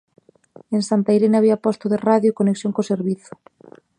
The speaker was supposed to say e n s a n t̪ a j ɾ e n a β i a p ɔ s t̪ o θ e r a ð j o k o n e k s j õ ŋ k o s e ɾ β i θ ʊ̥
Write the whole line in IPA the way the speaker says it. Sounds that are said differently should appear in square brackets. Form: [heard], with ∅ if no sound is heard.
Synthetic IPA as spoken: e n s a n t̪ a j ɾ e n a β i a p ɔ s t̪ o [ð] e r a ð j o k o n e k s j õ ŋ k o s e ɾ β i θ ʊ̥